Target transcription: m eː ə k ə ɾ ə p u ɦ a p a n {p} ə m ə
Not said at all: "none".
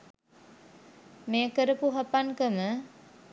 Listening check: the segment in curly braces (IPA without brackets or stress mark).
k